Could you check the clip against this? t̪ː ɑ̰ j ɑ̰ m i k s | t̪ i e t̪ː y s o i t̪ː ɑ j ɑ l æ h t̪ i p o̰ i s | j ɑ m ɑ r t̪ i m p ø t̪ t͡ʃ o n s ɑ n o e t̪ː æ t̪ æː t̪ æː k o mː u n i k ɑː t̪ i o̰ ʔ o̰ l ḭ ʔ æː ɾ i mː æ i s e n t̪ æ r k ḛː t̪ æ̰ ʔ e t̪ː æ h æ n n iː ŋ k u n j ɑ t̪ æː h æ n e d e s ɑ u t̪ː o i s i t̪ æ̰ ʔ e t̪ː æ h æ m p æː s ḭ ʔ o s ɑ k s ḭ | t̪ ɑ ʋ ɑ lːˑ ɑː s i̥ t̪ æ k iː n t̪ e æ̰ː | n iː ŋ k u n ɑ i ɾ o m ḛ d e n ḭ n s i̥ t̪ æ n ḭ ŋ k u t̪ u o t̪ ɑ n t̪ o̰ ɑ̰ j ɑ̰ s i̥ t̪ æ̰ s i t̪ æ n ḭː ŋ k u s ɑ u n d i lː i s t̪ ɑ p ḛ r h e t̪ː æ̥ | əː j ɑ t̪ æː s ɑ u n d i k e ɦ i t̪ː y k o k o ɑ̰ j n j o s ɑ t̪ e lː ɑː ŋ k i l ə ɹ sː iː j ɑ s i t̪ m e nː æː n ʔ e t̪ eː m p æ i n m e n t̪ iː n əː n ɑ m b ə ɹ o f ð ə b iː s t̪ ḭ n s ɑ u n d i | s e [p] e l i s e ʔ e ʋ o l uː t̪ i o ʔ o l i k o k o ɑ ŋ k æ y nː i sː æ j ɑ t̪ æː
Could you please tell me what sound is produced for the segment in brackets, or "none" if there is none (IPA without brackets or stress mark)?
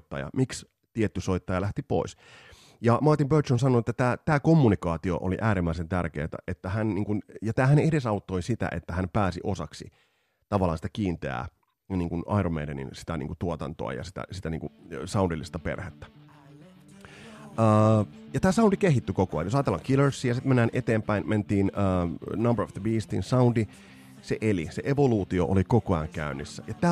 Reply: ʔ